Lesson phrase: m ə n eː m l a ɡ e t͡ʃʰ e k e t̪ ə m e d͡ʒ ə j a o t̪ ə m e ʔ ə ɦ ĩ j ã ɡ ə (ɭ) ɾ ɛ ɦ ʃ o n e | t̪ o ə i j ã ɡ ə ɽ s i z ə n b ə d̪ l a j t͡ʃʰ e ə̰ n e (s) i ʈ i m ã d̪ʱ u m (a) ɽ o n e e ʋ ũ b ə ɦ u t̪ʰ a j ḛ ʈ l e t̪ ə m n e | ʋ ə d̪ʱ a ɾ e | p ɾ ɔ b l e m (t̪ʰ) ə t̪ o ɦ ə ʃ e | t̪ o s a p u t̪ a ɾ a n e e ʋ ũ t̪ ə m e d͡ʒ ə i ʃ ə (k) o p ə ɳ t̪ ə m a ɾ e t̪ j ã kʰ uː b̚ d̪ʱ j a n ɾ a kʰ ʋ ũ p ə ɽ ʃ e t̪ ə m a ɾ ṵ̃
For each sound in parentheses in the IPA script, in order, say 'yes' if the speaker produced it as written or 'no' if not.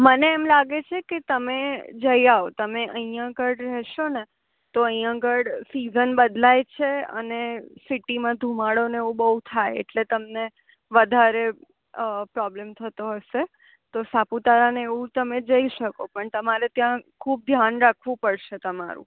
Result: no, yes, yes, yes, yes

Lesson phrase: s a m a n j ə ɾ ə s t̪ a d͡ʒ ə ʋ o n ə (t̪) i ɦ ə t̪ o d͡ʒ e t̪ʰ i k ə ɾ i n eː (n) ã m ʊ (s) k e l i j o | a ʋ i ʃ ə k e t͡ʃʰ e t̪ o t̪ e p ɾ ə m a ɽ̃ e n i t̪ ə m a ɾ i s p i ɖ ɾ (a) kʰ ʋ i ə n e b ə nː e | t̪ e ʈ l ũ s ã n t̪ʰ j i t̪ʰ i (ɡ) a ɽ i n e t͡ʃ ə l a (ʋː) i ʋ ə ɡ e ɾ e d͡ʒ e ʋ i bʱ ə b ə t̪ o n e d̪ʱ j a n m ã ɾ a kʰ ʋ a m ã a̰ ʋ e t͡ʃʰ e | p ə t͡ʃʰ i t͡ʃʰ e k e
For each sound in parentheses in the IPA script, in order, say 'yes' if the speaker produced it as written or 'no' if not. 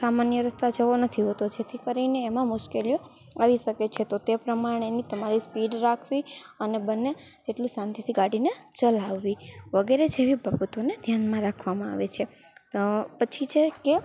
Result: no, no, no, yes, yes, yes

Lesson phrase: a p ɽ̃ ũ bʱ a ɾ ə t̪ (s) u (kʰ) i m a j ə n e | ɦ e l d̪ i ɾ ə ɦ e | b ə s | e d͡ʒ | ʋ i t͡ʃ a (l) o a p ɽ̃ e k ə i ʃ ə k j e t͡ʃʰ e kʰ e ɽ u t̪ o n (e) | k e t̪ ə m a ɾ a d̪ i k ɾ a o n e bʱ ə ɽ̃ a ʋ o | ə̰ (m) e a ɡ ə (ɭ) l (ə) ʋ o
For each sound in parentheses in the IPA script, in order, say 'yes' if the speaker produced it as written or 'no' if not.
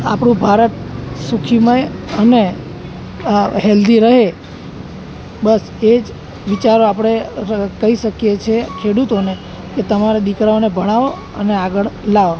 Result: yes, yes, no, yes, no, yes, no

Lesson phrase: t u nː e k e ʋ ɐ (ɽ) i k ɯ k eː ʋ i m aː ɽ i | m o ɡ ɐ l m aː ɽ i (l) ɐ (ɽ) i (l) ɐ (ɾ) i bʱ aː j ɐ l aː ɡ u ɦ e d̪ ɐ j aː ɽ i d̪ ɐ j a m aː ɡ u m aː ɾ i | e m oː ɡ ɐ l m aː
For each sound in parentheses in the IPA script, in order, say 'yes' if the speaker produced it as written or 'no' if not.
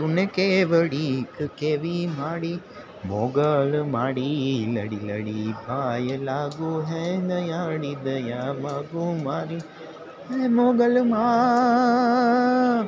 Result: yes, yes, yes, yes, no

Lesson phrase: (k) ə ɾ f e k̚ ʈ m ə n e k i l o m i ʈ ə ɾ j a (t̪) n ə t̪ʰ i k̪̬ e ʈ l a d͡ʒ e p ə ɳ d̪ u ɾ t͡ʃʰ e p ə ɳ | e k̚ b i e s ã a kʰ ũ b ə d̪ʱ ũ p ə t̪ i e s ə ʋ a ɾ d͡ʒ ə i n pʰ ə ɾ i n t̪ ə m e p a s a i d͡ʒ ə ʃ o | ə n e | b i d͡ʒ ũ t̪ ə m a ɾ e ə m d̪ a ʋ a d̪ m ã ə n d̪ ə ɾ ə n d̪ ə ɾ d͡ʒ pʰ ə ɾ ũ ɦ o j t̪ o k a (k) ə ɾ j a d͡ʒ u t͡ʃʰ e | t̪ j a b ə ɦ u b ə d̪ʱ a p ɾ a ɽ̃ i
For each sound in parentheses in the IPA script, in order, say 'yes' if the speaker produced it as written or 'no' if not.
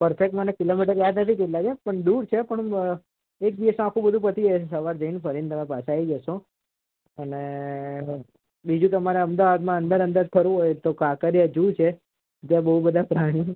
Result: no, no, yes

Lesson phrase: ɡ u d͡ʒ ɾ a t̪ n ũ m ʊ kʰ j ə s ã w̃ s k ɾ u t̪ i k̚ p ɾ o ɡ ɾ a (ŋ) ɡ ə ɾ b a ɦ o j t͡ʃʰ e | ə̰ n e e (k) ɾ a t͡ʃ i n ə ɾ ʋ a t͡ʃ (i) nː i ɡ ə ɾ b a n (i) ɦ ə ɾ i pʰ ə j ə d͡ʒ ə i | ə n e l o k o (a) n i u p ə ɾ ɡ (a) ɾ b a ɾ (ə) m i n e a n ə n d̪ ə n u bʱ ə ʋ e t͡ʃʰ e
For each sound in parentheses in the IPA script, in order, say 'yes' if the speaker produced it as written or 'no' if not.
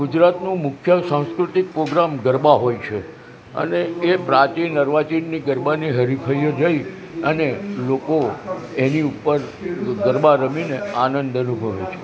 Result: no, no, yes, yes, no, no, yes

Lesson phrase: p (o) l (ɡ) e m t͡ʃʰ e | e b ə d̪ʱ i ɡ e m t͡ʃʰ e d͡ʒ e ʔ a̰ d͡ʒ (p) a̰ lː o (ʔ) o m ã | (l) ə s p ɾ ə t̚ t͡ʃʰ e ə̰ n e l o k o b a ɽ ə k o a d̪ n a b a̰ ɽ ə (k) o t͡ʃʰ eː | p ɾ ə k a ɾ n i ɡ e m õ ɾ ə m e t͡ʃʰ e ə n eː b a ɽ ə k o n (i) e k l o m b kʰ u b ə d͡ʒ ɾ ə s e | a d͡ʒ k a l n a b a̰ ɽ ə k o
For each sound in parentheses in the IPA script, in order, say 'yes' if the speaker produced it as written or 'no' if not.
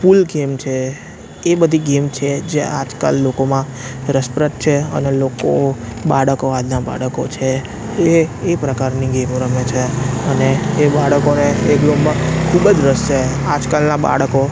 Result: no, yes, no, no, no, yes, no

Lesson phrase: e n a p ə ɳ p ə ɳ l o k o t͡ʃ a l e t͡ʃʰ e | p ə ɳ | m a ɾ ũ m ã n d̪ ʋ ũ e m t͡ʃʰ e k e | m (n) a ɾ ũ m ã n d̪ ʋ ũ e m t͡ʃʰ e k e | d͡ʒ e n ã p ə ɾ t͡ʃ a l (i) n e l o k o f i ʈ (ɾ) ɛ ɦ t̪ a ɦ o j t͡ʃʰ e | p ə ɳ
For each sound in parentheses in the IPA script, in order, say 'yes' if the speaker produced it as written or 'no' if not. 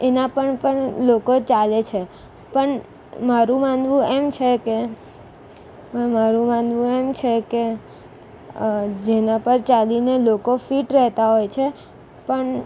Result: no, yes, yes

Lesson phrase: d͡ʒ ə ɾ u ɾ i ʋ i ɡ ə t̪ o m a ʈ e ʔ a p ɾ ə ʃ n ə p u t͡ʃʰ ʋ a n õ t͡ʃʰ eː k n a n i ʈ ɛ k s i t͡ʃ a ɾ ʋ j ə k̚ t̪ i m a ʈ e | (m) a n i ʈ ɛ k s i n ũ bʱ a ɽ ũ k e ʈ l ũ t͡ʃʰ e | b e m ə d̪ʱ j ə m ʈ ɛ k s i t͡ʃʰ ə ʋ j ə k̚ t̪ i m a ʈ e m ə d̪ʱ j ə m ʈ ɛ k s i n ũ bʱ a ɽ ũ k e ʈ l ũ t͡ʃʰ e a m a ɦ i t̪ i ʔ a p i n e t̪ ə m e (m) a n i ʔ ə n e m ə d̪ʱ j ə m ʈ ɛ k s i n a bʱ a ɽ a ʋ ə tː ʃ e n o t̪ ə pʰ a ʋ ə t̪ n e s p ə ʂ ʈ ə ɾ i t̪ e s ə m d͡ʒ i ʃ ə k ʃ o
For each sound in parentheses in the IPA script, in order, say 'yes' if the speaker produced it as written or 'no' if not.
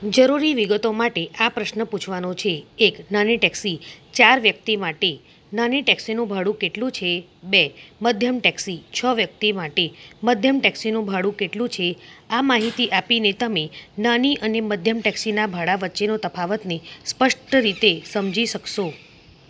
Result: no, no

